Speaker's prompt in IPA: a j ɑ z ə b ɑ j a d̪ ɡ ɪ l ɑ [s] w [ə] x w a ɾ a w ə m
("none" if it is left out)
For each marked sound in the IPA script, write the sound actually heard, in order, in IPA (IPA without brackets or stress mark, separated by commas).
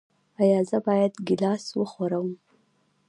s, ə